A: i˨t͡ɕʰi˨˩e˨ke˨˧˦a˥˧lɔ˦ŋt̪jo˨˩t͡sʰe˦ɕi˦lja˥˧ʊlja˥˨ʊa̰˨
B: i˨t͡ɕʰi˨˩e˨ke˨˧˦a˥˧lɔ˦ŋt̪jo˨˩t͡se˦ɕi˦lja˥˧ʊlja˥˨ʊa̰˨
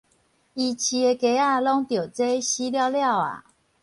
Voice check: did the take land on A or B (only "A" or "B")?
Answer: B